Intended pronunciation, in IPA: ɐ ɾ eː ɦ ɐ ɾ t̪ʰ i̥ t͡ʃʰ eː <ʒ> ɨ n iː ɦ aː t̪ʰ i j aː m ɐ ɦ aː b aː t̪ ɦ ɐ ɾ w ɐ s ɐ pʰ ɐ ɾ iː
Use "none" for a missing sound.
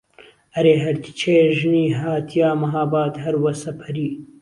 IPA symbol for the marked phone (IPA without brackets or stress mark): ʒ